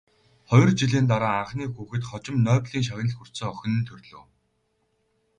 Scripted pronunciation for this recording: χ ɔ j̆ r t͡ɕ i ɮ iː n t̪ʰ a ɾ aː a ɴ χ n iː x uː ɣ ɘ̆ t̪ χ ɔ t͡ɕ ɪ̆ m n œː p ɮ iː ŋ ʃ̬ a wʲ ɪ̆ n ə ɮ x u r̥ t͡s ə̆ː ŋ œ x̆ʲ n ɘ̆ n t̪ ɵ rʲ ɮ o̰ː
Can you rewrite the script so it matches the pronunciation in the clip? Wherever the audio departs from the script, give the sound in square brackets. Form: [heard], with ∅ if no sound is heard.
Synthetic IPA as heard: χ ɔ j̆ r t͡ɕ i ɮ iː n [t̪] a ɾ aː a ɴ χ n iː x uː [x] ɘ̆ t̪ χ ɔ t͡ɕ ɪ̆ m n œː p ɮ iː ŋ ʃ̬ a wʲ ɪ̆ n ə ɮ x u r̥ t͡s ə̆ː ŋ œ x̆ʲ n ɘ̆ n [t̪ʰ] ɵ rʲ ɮ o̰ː